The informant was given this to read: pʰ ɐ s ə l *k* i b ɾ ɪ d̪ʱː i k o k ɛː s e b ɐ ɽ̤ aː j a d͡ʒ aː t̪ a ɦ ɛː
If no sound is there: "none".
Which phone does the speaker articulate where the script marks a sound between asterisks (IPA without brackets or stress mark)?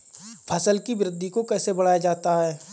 k